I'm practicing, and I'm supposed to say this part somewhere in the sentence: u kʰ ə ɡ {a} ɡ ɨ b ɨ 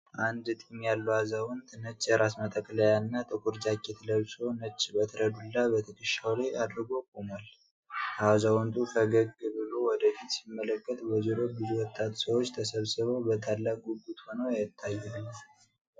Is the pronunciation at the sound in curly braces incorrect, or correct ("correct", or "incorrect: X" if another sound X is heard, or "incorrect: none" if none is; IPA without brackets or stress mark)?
incorrect: ə